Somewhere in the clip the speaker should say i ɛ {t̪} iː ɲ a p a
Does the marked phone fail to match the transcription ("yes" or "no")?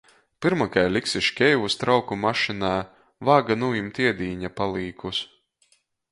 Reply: yes